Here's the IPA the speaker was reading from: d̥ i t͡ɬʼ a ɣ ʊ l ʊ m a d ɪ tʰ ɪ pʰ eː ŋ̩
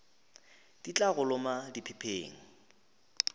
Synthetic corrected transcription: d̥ i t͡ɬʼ a ɣ ʊ l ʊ m a d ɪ pʰ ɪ pʰ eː ŋ̩